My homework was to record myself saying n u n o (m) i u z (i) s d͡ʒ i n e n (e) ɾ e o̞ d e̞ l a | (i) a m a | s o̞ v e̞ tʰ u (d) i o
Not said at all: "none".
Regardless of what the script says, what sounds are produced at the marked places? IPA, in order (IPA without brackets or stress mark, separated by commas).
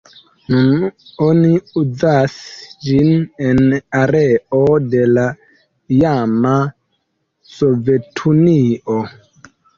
n, a, a, j, n